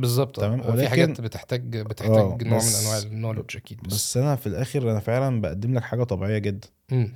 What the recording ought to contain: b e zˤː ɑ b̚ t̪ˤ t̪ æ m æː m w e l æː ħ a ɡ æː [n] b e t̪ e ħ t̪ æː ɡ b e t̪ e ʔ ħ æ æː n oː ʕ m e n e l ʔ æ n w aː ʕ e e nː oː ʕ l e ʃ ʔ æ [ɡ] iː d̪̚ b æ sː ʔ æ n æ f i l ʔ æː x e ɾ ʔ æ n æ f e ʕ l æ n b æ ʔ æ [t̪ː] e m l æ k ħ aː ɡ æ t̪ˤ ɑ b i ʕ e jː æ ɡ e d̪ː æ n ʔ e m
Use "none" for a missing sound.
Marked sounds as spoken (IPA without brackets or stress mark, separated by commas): n, k, d̪ː